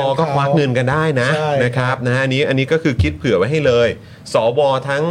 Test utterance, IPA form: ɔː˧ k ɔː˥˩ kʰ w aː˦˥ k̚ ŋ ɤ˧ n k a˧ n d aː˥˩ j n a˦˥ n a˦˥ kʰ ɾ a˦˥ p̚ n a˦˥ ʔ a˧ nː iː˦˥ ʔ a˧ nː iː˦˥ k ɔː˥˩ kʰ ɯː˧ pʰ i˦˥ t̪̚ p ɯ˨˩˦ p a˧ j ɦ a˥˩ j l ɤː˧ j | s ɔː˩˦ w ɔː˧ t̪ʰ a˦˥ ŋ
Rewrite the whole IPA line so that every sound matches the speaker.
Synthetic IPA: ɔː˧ k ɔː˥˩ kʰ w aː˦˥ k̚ ŋ ɤ˧ n k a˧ n d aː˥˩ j n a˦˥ n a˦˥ kʰ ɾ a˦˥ p̚ n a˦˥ ʔ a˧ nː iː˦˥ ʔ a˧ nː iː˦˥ k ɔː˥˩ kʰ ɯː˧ kʰ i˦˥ t̪̚ pʰ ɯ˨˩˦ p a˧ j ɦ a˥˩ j l ɤː˧ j | s ɔː˩˦ w ɔː˧ t̪ʰ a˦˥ ŋ